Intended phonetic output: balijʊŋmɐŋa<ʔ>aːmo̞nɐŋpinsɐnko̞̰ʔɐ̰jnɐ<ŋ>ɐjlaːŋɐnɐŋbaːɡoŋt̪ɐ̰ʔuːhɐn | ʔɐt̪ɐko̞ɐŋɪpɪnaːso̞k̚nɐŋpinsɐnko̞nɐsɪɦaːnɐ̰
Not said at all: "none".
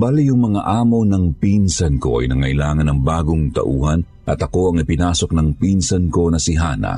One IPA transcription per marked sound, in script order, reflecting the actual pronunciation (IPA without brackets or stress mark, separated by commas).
ʔ, ŋ